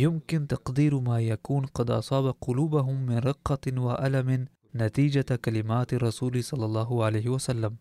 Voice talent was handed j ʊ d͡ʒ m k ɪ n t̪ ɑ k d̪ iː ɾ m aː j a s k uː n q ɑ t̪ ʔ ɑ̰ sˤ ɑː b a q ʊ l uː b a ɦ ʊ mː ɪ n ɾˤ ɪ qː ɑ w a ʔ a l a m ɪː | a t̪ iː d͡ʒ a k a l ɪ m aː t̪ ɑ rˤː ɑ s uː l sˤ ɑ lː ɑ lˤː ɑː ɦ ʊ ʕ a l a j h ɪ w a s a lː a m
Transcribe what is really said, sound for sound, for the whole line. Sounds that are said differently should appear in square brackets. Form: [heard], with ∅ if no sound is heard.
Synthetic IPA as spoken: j ʊ [∅] m k ɪ n t̪ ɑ [q] d̪ iː ɾ m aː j a [∅] k uː n q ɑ [d̪] ʔ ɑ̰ sˤ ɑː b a q ʊ l uː b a ɦ ʊ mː ɪ n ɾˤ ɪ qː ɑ w a ʔ a l a m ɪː | a t̪ iː d͡ʒ a k a l ɪ m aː t̪ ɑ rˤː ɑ s uː l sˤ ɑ lː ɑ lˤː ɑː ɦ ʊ ʕ a l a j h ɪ w a s a lː a m